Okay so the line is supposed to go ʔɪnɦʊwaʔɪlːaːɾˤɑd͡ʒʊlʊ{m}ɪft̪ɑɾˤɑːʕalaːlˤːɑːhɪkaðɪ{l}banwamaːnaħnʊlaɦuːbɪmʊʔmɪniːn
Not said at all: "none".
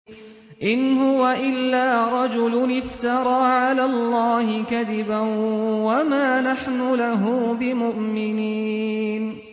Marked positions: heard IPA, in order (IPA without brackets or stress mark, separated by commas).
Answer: n, none